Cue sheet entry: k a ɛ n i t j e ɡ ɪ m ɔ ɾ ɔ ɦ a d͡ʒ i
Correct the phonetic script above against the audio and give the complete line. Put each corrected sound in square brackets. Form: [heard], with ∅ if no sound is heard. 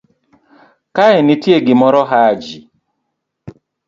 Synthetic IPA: k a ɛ n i t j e ɡ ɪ m ɔ ɾ ɔ ɦ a d͡ʒ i